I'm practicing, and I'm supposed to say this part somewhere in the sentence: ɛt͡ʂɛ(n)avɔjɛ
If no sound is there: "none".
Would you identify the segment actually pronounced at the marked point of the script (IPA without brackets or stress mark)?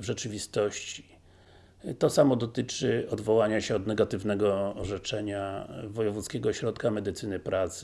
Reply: ɲ